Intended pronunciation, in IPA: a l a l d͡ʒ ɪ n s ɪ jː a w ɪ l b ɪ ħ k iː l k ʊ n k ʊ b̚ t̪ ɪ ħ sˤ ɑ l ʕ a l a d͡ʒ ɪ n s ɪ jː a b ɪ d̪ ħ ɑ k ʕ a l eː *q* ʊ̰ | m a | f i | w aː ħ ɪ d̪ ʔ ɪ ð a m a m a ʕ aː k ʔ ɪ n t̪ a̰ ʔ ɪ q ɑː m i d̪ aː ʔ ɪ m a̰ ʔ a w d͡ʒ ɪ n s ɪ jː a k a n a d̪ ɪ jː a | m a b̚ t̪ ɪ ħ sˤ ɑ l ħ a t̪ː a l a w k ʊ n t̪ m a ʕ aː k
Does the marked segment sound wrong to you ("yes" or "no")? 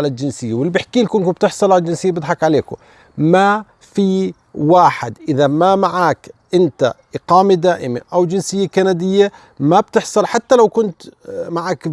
yes